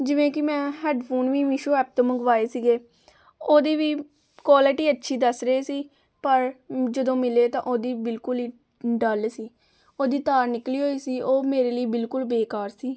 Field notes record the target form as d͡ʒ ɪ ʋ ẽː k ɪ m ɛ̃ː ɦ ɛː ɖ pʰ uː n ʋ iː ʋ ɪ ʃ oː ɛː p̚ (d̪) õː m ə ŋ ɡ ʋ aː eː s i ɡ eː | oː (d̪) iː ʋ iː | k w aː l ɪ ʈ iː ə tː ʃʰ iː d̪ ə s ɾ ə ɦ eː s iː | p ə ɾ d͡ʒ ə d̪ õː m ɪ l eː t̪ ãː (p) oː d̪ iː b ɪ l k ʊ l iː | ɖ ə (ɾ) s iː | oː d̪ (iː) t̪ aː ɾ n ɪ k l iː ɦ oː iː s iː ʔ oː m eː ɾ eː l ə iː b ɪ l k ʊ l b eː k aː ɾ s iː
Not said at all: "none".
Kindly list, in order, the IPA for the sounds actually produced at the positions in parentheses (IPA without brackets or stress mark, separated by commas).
t̪, d̪, ʔ, l, iː